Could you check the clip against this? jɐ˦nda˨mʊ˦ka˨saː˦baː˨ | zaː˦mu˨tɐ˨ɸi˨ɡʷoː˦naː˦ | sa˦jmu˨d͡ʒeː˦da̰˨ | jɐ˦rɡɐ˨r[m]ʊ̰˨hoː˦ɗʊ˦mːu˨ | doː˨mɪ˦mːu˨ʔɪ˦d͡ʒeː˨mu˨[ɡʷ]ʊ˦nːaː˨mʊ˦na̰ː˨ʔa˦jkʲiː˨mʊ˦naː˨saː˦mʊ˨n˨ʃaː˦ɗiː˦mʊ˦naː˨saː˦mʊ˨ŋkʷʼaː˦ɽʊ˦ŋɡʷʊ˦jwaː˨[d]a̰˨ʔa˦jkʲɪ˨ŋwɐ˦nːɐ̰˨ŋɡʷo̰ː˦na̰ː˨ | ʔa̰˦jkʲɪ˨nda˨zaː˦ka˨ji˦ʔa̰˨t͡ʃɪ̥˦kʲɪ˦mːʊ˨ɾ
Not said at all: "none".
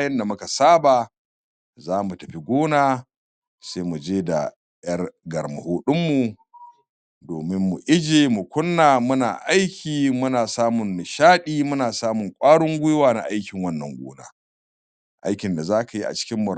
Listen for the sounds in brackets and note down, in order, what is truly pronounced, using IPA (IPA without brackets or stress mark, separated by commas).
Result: m, kʷ, n